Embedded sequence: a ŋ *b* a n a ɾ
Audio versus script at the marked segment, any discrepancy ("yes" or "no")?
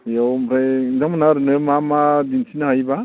yes